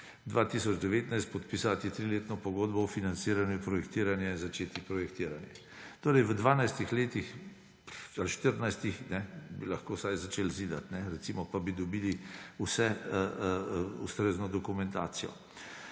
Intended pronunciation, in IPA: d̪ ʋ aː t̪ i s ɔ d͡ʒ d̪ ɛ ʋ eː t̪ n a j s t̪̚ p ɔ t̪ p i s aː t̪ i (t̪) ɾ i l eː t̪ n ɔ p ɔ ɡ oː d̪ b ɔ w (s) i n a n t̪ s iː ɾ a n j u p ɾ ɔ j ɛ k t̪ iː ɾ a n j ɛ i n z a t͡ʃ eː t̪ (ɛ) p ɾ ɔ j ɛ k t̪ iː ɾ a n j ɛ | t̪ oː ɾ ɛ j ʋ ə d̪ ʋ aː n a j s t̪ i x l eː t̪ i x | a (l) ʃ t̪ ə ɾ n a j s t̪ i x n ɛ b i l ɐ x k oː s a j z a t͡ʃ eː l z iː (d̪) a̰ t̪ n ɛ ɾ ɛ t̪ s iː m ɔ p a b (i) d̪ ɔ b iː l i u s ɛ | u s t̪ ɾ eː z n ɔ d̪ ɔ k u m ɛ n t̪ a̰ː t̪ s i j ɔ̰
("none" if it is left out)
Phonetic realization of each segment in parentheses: t̪, f, i, l, d̪, i

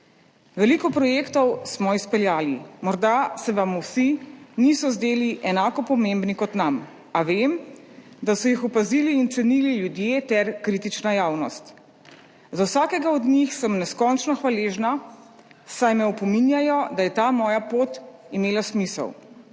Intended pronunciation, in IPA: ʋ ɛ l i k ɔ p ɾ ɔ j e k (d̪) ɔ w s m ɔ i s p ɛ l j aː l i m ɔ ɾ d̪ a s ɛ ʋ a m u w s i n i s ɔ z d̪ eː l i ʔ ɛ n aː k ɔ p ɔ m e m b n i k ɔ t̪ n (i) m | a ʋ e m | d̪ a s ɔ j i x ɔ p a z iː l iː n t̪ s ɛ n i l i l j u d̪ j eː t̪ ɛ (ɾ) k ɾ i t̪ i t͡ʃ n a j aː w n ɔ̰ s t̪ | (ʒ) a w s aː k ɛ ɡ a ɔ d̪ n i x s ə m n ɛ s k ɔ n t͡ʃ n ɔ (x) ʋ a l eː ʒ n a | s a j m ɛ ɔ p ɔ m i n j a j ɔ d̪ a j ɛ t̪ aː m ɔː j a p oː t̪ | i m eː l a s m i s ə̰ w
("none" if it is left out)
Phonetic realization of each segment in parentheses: t̪, a, ɾ, z, x

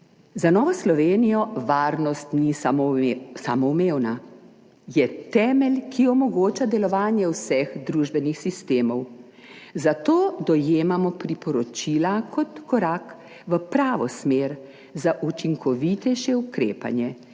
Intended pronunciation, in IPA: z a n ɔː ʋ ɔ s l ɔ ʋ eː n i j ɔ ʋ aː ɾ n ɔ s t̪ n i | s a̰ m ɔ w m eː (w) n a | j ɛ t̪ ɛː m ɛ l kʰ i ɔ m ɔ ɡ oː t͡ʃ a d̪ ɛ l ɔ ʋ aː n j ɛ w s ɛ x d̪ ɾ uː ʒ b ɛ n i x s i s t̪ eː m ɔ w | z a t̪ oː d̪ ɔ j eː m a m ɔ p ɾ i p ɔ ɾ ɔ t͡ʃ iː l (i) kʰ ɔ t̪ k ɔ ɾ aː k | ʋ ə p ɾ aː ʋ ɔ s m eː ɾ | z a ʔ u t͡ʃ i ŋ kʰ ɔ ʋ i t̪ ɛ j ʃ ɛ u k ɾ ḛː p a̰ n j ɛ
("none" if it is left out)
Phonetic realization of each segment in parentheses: w, a

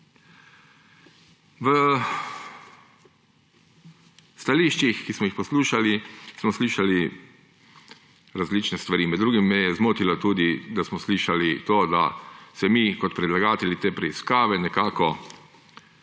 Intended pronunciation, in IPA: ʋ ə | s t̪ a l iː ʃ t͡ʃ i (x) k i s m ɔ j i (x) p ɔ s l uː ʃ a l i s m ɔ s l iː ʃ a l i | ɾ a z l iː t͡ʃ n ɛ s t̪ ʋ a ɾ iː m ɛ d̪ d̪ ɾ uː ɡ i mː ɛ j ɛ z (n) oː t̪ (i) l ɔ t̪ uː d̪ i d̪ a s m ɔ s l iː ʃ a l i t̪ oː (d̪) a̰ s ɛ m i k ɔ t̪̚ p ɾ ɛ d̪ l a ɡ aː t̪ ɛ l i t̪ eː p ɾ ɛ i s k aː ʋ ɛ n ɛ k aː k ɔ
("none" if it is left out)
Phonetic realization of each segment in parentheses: x, x, m, i, d̪

